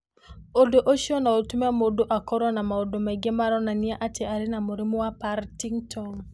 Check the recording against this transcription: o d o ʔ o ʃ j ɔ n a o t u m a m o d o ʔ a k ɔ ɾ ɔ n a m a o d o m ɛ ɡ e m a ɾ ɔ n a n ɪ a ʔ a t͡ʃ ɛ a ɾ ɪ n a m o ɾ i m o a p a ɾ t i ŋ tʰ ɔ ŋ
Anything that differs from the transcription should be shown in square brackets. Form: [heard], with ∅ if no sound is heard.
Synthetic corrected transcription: o d o ʔ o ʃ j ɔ n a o t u m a m o d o ʔ a k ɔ ɾ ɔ n a m a o d o m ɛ ɡ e m a ɾ ɔ n a n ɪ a ʔ a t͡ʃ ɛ a ɾ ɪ n a m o ɾ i m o a p a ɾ t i ŋ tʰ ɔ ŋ